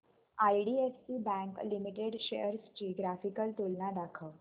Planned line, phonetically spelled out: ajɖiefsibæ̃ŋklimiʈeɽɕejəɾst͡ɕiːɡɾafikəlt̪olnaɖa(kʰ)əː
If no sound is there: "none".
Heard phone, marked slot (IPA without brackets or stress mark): kʰ